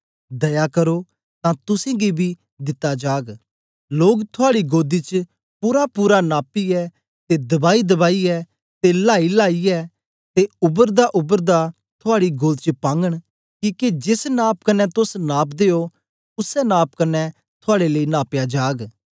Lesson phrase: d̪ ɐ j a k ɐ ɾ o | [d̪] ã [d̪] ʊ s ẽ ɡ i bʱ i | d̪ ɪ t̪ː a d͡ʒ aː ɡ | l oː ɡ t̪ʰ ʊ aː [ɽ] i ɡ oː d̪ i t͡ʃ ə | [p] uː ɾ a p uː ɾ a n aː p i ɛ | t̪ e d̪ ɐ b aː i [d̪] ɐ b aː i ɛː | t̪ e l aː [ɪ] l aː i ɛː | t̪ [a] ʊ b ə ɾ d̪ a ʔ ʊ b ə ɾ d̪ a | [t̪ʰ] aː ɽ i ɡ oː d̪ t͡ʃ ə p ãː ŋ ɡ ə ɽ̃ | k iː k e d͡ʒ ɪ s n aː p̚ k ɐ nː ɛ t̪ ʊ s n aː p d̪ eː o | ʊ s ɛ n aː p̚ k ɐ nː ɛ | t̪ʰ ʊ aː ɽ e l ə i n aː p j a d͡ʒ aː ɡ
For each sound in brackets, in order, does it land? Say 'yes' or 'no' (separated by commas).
no, no, yes, yes, yes, no, no, yes